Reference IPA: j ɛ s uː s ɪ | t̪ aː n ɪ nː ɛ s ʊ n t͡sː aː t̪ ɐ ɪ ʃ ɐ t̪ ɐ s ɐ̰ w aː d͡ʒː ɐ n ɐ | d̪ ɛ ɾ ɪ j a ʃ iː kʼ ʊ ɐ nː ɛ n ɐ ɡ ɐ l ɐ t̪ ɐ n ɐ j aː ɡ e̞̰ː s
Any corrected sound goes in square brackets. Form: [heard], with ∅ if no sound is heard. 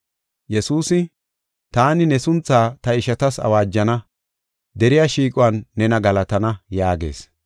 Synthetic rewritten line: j ɛ s uː s ɪ | t̪ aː n ɪ [n] ɛ s ʊ n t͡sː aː t̪ ɐ ɪ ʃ ɐ t̪ ɐ s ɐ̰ w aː d͡ʒː ɐ n ɐ | d̪ ɛ ɾ ɪ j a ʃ iː kʼ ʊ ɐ nː ɛ n ɐ ɡ ɐ l ɐ t̪ ɐ n ɐ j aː ɡ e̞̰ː s